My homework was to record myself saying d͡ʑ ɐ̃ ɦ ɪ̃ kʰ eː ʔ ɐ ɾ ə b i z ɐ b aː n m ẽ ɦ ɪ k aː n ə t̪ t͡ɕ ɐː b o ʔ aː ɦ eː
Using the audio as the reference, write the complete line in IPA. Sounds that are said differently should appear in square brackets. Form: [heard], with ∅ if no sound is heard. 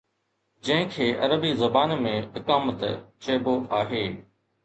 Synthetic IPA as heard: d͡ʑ ɐ̃ ɦ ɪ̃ kʰ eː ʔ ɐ ɾ ə b i z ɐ b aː n m ẽ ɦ ɪ k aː [m] ə t̪ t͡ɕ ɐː b o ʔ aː ɦ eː